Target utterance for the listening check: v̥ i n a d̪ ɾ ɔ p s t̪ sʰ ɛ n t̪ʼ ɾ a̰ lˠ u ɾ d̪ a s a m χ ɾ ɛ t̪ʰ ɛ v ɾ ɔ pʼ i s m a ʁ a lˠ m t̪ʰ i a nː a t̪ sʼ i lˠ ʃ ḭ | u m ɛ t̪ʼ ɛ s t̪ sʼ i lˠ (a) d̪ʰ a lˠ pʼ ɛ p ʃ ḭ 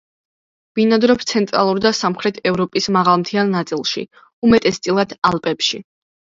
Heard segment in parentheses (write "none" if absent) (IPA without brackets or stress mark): a